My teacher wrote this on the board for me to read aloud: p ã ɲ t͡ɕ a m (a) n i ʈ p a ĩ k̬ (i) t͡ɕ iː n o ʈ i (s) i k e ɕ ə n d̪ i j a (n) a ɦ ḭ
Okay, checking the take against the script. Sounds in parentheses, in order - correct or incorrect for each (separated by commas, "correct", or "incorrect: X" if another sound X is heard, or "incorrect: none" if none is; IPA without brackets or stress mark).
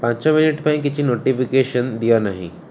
incorrect: i, correct, incorrect: f, correct